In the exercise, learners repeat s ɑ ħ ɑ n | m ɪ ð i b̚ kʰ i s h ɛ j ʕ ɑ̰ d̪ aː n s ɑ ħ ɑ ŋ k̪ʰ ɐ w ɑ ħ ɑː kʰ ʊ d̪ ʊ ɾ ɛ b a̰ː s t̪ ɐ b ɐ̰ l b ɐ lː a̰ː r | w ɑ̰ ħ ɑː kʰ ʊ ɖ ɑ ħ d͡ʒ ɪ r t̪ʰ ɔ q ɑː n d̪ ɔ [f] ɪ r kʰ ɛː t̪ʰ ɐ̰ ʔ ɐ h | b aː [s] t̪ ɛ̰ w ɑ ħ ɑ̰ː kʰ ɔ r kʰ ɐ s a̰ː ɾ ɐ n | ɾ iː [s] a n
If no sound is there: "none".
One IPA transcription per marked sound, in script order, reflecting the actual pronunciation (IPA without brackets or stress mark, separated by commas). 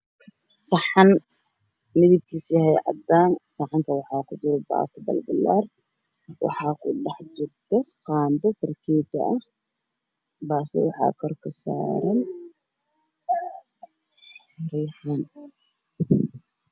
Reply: f, s, ħ